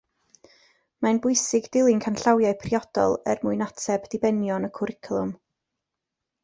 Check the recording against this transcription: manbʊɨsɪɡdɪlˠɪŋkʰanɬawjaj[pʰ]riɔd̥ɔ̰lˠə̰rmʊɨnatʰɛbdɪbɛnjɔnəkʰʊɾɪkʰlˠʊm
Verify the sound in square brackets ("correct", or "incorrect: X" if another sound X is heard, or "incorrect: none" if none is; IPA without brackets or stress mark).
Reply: correct